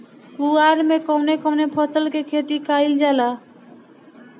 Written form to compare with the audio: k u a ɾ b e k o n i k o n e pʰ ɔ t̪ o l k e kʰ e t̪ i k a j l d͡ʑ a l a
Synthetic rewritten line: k u a ɾ m e k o n e k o n e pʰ ɔ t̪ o l k e kʰ e t̪ i k a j l d͡ʑ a l a